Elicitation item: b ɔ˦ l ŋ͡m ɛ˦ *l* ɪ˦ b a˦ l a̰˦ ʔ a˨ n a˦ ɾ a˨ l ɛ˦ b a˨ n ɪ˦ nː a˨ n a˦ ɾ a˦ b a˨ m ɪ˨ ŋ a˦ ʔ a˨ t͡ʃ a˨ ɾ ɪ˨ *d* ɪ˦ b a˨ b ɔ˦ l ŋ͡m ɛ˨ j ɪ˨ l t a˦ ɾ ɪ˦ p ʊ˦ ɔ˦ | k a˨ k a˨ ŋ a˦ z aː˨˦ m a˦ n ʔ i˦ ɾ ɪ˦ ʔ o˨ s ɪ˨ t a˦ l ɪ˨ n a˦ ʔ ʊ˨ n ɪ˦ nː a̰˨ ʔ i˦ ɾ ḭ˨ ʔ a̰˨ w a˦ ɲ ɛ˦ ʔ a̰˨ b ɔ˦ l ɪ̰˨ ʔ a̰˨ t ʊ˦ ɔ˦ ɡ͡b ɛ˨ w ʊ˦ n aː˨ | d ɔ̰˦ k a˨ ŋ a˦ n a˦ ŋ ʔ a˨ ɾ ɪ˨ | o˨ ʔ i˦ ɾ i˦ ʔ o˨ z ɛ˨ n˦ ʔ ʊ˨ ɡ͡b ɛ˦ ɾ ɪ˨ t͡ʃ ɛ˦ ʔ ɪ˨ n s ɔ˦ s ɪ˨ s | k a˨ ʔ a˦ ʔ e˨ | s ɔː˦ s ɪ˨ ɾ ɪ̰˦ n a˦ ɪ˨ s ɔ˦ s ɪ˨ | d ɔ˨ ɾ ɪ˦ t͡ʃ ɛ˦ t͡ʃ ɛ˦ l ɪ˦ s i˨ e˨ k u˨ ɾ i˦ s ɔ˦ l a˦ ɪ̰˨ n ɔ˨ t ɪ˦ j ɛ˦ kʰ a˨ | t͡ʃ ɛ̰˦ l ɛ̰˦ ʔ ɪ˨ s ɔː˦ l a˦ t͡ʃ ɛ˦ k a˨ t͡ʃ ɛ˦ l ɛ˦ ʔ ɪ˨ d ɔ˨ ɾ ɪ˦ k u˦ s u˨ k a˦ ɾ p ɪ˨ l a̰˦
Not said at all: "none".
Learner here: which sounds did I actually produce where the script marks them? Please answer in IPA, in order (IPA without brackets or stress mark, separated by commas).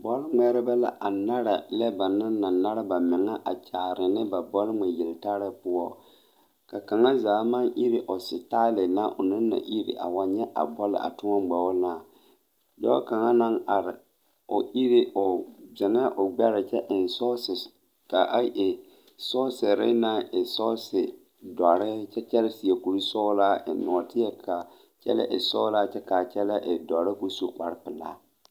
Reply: ɾ, n